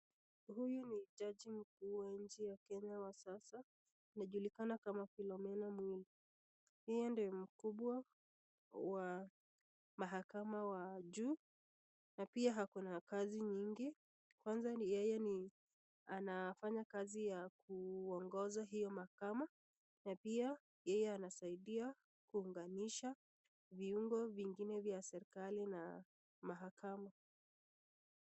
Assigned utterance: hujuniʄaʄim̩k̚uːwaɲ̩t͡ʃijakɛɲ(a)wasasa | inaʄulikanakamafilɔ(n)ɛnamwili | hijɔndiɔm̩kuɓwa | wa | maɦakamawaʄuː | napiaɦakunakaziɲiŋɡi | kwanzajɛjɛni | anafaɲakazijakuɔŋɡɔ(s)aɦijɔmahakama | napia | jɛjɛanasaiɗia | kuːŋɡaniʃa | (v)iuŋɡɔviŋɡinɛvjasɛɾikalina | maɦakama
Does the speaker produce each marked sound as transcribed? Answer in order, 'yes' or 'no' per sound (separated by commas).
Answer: yes, no, no, yes